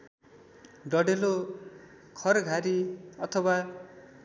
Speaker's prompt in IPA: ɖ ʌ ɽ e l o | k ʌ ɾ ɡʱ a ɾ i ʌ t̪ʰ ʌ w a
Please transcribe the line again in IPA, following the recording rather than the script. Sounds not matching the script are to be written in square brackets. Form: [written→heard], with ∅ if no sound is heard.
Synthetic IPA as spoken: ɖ ʌ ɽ e l o | [k→kʰ] ʌ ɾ ɡʱ a ɾ i ʌ t̪ʰ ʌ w a